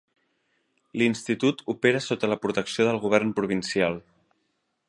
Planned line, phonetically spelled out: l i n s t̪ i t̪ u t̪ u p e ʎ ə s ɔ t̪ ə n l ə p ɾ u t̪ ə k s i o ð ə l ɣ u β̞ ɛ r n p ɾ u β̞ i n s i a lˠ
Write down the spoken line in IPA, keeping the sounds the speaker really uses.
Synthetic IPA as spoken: l i n s t̪ i t̪ u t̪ u p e ɾ ə s o t̪ ə l ə p ɾ u t̪ ə k s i o ð ə l ɣ u β̞ ɛ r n p ɾ u β̞ i n s i a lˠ